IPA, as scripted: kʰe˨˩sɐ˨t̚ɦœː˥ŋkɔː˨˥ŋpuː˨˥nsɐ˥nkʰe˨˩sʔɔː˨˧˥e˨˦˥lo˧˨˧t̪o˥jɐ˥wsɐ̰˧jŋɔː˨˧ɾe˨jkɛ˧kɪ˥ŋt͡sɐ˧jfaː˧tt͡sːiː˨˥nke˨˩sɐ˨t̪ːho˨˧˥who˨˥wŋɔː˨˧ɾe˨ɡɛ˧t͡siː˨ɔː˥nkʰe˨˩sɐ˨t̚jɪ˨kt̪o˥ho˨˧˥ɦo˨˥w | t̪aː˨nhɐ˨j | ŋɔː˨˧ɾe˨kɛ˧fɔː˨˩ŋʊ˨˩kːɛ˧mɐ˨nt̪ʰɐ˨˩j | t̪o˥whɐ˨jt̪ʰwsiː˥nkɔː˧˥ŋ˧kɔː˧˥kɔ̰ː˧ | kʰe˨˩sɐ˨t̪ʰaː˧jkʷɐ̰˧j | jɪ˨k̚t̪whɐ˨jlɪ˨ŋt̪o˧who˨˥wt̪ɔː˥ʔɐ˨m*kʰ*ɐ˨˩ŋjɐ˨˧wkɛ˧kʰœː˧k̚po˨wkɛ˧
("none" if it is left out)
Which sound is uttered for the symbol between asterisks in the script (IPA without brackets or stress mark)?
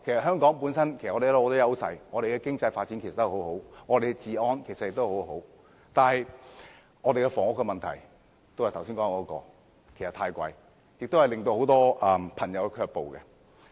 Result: pʰ